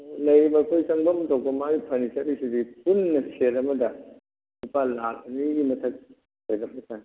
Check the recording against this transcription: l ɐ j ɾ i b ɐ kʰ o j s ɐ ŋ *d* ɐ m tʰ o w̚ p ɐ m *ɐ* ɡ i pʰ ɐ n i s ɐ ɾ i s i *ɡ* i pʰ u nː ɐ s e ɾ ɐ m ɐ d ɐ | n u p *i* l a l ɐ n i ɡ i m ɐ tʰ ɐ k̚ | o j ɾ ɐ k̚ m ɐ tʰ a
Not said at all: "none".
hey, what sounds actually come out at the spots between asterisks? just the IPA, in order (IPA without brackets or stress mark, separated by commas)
b, a, d, a